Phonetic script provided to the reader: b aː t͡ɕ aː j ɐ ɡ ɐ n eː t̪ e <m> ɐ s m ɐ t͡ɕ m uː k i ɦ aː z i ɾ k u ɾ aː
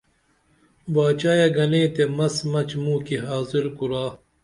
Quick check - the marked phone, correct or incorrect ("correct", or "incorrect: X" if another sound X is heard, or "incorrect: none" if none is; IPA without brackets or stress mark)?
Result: correct